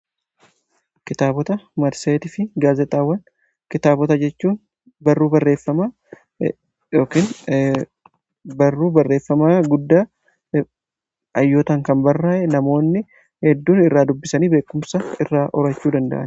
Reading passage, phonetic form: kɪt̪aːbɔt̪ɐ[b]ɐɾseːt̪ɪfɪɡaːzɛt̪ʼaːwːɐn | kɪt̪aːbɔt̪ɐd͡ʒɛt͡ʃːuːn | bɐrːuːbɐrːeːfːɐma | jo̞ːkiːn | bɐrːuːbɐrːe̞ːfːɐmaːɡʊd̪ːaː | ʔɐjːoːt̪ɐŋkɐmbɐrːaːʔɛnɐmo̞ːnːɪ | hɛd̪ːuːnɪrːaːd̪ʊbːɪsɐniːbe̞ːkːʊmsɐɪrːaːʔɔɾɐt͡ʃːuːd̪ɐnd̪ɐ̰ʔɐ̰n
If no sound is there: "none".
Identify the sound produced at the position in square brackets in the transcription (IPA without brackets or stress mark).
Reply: m